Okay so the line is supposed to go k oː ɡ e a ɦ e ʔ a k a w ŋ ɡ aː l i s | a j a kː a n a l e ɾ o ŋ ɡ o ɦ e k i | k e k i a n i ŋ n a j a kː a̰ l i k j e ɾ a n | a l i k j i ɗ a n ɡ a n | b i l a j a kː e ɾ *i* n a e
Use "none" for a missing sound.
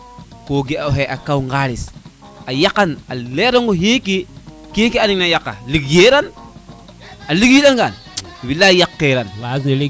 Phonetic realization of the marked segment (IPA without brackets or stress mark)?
a